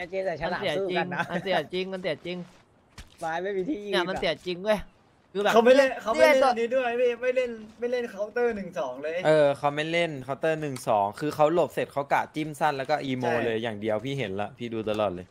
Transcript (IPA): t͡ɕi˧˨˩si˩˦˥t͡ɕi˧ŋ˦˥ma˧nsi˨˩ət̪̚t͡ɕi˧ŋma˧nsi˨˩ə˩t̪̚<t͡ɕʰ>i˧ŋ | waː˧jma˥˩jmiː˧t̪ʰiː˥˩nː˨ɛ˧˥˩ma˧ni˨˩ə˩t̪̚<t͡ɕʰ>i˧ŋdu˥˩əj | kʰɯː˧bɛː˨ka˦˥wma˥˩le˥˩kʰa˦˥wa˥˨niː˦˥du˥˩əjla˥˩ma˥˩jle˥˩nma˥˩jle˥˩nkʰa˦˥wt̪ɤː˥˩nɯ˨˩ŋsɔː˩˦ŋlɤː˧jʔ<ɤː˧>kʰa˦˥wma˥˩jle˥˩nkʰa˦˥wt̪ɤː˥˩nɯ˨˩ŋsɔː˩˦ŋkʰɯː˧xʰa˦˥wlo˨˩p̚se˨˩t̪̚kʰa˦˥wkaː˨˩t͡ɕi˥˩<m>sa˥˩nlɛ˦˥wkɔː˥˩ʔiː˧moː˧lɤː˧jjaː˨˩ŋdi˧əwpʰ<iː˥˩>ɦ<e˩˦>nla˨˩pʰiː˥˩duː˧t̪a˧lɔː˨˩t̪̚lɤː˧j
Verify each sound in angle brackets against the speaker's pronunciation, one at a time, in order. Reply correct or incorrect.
incorrect: t͡ɕ, incorrect: t͡ɕ, correct, correct, correct, correct

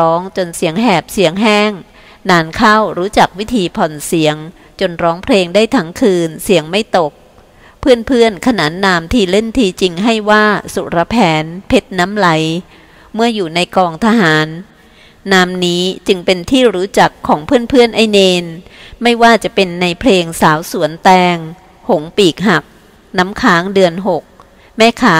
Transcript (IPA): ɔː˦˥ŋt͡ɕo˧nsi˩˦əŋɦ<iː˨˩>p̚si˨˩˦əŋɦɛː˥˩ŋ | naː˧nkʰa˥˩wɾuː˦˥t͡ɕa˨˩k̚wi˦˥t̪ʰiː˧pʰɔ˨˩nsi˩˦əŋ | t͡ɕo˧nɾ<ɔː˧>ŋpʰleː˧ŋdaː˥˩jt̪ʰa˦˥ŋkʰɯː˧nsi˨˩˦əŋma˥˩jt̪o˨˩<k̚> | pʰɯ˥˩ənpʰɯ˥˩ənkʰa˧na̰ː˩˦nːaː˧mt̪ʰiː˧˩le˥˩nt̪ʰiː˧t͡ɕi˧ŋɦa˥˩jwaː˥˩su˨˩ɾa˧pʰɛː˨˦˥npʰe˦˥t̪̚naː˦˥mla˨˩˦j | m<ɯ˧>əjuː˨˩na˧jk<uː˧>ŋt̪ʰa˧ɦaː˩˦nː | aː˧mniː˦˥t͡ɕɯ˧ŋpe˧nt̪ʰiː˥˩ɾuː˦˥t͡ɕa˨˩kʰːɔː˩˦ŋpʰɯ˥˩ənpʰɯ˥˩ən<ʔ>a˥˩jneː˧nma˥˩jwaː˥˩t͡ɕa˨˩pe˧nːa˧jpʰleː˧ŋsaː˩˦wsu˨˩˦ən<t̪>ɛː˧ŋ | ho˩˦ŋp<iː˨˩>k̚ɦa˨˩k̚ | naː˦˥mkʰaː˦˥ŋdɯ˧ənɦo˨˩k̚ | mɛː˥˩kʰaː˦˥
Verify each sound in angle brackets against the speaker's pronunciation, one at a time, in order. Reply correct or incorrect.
incorrect: ɛː˨˩, incorrect: ɔː˦˥, correct, incorrect: ɯ˥˩, incorrect: ɔː˧, correct, correct, correct

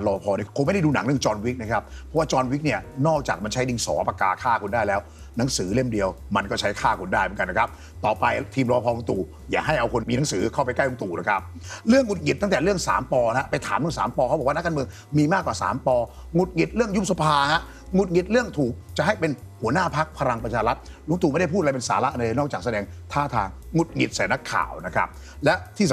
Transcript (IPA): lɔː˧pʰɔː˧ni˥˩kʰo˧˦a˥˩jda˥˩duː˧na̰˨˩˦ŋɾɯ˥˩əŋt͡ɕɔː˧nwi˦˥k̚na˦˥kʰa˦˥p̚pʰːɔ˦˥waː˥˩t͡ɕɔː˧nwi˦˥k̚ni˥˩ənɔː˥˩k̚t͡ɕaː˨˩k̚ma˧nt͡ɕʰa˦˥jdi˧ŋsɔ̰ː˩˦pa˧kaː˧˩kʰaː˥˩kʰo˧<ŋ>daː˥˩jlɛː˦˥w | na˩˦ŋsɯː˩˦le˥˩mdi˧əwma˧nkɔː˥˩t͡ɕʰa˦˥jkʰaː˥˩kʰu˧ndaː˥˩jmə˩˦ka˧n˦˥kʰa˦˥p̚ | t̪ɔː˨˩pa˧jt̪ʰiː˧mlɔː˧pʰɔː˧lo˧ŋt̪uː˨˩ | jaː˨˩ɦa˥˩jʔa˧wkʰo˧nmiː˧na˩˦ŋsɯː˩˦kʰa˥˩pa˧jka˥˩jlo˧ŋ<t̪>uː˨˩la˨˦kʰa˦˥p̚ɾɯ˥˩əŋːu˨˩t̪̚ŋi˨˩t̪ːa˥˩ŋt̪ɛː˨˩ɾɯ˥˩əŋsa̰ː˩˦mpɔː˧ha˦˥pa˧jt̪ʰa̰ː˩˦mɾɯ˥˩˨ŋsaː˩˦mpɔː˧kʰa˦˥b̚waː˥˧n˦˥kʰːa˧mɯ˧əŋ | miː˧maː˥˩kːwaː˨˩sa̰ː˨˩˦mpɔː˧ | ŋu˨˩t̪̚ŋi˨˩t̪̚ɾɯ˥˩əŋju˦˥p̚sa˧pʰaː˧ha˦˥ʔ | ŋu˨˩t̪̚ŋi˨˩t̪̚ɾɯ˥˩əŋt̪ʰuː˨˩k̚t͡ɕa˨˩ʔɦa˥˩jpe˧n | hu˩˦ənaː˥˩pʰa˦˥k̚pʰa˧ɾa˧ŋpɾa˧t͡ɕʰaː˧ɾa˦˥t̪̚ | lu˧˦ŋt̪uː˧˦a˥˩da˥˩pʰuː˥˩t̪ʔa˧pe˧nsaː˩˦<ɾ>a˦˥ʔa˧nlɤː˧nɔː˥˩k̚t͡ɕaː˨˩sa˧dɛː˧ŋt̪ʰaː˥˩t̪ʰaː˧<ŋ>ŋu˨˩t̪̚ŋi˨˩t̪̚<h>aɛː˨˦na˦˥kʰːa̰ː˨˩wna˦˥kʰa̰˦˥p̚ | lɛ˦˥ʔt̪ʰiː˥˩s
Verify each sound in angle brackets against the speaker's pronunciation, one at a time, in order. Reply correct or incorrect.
incorrect: n, correct, incorrect: l, correct, incorrect: s

